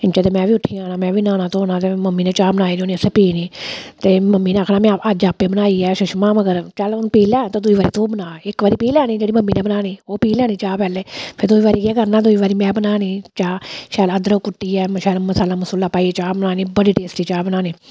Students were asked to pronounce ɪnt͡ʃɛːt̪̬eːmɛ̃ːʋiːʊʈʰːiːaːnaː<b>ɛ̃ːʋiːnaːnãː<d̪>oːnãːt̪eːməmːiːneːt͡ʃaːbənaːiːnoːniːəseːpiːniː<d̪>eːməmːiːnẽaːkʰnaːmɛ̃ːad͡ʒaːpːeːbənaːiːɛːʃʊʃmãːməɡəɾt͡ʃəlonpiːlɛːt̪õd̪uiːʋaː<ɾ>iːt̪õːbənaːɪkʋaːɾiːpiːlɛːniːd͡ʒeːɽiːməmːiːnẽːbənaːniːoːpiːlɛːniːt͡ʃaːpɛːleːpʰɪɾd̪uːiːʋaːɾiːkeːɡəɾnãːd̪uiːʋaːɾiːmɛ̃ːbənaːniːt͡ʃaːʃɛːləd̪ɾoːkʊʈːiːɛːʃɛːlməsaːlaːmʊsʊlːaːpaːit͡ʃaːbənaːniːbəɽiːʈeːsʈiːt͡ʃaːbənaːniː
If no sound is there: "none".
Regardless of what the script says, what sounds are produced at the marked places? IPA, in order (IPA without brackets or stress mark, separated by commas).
m, t̪, t̪, ɾ